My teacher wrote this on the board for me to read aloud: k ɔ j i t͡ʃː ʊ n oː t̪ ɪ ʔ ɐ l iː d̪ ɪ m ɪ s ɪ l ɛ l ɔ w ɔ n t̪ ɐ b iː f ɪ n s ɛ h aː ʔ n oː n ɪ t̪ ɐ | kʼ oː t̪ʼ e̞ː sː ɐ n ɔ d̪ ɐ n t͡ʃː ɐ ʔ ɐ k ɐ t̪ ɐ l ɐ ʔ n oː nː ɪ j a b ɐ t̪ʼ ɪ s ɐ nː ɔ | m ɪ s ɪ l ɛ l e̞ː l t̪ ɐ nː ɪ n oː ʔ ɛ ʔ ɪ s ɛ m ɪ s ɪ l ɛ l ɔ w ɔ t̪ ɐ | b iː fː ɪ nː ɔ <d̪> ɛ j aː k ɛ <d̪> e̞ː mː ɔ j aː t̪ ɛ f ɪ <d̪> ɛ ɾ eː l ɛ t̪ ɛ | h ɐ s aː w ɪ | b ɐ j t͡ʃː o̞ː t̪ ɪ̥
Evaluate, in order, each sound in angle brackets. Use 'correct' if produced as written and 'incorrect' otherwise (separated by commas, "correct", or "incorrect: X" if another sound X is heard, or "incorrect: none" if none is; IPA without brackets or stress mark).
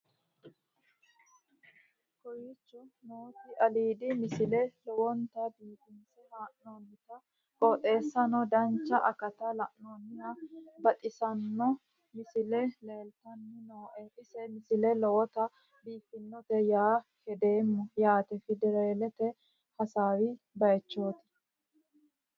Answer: incorrect: t̪, correct, correct